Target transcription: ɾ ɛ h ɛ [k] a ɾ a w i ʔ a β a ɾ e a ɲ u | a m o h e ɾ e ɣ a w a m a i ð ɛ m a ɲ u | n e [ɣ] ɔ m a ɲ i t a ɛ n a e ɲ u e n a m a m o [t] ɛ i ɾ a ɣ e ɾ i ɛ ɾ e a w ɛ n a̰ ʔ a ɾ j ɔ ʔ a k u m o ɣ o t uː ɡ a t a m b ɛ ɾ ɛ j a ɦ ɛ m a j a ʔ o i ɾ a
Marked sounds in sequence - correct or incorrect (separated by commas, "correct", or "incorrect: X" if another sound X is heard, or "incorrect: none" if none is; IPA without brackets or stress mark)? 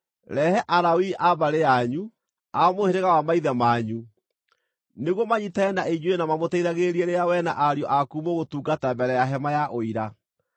incorrect: ʔ, correct, correct